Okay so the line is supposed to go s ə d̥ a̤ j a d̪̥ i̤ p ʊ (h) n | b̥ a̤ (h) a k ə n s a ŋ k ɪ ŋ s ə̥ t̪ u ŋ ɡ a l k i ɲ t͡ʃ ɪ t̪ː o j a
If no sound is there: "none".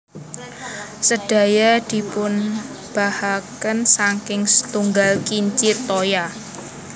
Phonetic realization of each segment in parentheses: none, h

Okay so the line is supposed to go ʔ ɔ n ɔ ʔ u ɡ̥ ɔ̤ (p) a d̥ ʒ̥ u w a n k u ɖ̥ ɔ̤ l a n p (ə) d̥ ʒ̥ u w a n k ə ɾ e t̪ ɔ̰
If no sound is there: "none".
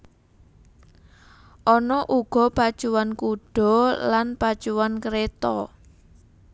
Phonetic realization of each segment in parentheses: p, a

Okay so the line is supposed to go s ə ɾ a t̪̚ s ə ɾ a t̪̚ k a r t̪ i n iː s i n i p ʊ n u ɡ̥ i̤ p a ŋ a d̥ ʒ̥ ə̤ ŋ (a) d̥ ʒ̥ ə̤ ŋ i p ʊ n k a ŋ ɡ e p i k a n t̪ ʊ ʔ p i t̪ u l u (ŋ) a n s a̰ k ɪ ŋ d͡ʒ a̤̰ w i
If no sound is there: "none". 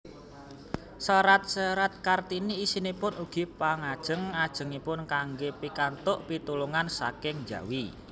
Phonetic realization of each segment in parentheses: a, ŋ

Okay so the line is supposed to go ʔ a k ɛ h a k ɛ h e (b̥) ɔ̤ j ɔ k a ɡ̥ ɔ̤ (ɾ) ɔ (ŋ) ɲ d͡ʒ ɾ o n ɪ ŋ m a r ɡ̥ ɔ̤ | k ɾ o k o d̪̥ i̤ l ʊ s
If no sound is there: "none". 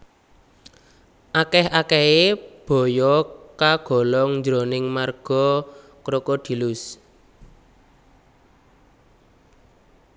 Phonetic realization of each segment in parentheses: b̥, l, ŋ

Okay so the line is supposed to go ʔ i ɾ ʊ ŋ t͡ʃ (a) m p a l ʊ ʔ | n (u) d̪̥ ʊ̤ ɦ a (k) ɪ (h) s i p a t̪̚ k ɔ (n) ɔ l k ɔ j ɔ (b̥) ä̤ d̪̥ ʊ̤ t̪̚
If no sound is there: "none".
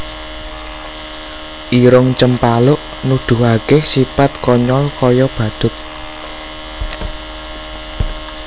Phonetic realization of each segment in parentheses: ə, u, k, h, ɲ, b̥

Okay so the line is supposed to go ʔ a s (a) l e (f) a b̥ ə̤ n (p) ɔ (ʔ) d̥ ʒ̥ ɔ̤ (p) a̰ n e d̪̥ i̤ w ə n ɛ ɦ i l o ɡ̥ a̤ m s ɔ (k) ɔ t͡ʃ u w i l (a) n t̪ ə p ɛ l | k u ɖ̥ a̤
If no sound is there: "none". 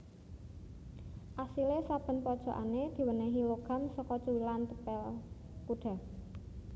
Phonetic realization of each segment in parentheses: i, s, p, none, ʔ, k, a

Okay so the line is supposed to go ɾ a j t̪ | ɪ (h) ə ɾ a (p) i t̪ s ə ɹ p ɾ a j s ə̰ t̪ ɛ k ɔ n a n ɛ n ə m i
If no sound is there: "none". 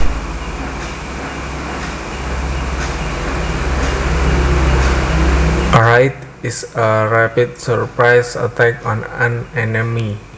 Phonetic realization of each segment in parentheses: s, p

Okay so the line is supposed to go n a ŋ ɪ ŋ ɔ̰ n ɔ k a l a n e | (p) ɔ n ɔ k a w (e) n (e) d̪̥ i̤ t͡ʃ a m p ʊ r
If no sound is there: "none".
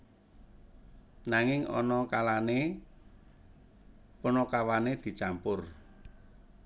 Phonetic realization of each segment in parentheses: p, a, e

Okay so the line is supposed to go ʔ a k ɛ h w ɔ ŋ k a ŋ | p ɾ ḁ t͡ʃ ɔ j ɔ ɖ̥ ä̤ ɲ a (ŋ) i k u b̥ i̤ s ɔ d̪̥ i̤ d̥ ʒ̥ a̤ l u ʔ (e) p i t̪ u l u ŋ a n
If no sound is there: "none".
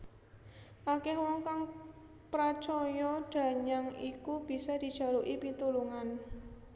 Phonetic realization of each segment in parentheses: ŋ, i

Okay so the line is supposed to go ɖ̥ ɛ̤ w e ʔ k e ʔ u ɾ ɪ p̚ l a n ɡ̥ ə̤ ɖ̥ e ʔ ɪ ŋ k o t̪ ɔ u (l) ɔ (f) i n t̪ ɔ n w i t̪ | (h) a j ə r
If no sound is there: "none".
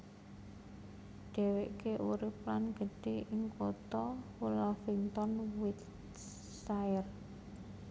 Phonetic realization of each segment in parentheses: l, f, s

